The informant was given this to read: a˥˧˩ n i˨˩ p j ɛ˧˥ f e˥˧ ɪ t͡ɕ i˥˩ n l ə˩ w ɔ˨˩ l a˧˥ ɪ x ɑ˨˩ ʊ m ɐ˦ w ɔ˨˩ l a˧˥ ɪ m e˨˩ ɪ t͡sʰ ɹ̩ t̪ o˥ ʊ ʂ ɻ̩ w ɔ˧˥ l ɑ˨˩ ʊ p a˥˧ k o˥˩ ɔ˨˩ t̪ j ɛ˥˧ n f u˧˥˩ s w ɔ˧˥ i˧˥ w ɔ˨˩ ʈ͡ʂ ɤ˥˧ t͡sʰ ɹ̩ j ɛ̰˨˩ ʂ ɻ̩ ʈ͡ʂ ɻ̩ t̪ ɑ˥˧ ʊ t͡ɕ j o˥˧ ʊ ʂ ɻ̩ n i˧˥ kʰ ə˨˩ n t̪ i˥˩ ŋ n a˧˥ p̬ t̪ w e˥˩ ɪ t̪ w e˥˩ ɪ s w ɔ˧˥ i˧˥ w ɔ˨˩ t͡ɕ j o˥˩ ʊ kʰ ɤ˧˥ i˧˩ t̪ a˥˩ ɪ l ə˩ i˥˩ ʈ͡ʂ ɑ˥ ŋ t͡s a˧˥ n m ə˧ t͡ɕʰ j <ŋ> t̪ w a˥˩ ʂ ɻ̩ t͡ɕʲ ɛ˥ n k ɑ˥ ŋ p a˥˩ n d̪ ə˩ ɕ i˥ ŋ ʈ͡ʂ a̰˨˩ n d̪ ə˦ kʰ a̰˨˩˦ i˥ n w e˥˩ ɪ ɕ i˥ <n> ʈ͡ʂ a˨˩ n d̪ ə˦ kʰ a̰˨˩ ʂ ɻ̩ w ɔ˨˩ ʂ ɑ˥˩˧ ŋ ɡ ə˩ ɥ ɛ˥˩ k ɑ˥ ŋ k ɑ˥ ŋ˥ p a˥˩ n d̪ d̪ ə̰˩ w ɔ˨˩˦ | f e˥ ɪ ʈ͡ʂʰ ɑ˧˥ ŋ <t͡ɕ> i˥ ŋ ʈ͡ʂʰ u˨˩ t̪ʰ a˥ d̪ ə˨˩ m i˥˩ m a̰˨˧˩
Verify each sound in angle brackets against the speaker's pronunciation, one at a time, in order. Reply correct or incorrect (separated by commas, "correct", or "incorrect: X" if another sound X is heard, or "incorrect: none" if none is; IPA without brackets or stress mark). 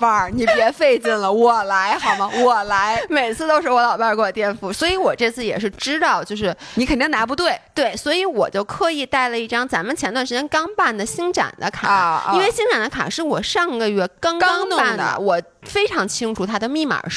incorrect: n, incorrect: ŋ, incorrect: t͡ɕʰ